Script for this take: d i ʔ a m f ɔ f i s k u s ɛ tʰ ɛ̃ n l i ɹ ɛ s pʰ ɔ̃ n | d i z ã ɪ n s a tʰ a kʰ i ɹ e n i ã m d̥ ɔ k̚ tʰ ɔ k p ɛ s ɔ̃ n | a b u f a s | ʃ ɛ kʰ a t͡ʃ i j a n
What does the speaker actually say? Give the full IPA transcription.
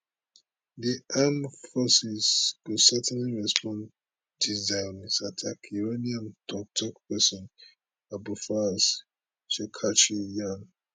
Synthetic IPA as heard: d i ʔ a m f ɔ s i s k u s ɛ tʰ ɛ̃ n l i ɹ ɛ s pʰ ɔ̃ n | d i z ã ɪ n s a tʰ a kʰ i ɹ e n i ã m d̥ ɔ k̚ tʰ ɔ k p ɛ s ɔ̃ n | a b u f a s | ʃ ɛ kʰ a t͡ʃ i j a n

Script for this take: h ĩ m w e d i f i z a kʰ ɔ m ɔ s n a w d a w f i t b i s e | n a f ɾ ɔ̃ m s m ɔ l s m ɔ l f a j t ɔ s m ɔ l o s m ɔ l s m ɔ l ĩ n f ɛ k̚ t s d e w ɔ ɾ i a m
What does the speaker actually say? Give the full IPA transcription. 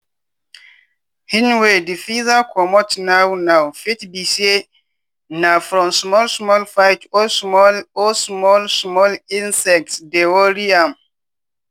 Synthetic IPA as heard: h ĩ n w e d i f i z a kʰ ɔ m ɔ t n a w n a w f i t b i s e | n a f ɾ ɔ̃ m s m ɔ l s m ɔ l f a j t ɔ s m ɔ l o s m ɔ l s m ɔ l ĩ n s ɛ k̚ t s d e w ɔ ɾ i a m

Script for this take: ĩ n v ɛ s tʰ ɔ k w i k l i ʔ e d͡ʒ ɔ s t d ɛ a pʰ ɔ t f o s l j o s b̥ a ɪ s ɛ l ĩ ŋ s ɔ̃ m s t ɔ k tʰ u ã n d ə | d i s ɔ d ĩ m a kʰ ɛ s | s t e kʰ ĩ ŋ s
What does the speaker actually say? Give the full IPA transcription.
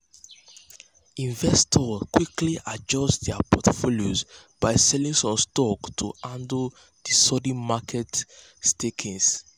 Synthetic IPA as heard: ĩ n v ɛ s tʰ ɔ k w i k l i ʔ a d͡ʒ ɔ s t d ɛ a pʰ ɔ t f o l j o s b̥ a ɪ s ɛ l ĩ ŋ s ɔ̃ m s t ɔ k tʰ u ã n d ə | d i s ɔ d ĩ m a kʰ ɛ t | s t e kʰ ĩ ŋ s

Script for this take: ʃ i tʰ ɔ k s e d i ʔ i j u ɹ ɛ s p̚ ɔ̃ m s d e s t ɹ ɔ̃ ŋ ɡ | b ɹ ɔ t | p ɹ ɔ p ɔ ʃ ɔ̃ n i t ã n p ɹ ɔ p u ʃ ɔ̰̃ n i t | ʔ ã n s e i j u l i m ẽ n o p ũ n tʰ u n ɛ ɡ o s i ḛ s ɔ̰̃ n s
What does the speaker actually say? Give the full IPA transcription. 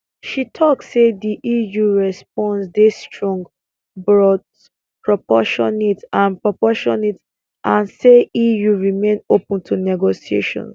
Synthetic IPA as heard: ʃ i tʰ ɔ k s e d i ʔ i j u ɹ ɛ s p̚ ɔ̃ n s d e s t ɹ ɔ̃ ŋ ɡ | b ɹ ɔ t | p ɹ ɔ p ɔ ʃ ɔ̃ n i t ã n p ɹ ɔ p ɔ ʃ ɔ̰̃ n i t | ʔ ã n s e i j u ɹ i m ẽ n o p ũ n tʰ u n ɛ ɡ o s i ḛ ʃ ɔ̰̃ n s

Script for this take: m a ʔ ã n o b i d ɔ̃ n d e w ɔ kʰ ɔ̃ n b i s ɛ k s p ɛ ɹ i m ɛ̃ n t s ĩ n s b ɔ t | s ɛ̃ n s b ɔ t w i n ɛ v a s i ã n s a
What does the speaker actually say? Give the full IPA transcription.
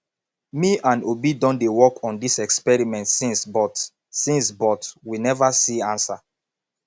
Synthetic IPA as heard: m i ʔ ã n o b i d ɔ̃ n d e w ɔ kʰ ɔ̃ n d i s ɛ k s p ɛ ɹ i m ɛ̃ n t s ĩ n s b ɔ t | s ĩ n s b ɔ t w i n ɛ v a s i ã n s a

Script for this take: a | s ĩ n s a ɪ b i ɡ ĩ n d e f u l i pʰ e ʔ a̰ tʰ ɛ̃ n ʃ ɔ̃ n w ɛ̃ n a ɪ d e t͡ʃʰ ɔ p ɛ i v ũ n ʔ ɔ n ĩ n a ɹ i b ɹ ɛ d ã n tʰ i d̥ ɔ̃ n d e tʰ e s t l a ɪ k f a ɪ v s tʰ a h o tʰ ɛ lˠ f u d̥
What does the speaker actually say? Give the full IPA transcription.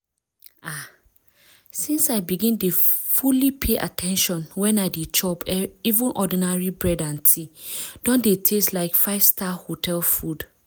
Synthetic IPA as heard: a | s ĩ n s a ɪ b i ɡ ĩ n d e f u l i pʰ e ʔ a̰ tʰ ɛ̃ n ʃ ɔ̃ n w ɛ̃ n a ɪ d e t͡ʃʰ ɔ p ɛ i v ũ n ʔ ɔ d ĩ n a ɹ i b ɹ ɛ d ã n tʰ i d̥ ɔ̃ n d e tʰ e s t l a ɪ k f a ɪ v s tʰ a h o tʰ ɛ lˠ f u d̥

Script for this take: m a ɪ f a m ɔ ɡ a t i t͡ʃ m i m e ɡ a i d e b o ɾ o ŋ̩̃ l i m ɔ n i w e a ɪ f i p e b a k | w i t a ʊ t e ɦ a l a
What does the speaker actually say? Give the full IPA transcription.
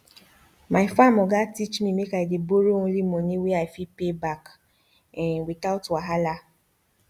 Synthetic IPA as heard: m a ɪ f a m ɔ ɡ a t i t͡ʃ m i m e k a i d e b o ɾ o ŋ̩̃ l i m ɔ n i w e a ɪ f i p e b a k | w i t a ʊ t a ɦ a l a

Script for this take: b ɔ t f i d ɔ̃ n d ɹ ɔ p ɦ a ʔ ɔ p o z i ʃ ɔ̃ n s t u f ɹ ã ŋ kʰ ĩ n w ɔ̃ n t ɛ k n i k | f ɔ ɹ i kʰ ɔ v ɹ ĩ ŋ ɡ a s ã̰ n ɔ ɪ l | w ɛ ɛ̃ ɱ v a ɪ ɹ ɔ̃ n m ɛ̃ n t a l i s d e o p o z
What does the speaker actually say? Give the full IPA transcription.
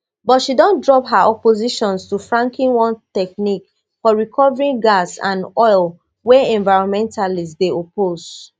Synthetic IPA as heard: b ɔ t ʃ i d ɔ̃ n d ɹ ɔ p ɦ a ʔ ɔ p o z i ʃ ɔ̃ n s t u f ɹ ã ŋ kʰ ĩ n w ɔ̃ n t ɛ k n i k | f ɔ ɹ i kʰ ɔ v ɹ ĩ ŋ ɡ a s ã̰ n ɔ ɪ l | w ɛ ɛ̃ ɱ v a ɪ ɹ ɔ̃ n m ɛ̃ n t a l i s d e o p o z

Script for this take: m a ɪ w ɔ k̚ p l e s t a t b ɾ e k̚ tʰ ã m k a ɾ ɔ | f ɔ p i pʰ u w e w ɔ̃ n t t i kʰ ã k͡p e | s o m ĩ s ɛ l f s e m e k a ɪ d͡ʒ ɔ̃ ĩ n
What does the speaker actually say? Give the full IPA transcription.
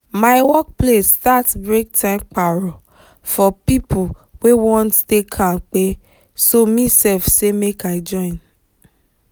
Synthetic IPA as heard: m a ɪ w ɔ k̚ p l e s t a t b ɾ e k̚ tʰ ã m k͡p a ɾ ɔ | f ɔ p i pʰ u w e w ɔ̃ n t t e kʰ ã k͡p e | s o m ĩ s ɛ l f s e m e k a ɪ d͡ʒ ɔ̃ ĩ n

